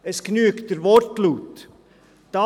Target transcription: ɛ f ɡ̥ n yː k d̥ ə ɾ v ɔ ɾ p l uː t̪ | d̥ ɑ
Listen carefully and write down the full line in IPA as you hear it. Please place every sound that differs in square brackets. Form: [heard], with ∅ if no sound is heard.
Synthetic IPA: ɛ [s] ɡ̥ n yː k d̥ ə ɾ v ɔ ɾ [t] l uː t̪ | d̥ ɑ